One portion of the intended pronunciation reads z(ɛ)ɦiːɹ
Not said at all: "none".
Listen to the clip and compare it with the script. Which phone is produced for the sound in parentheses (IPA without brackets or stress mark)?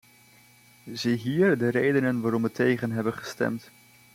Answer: i